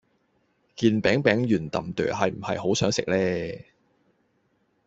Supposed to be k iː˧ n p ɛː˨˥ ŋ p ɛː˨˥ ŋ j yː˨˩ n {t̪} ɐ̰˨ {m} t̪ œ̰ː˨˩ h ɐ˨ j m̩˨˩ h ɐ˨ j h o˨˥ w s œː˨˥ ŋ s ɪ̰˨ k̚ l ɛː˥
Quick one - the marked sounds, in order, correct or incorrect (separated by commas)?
correct, correct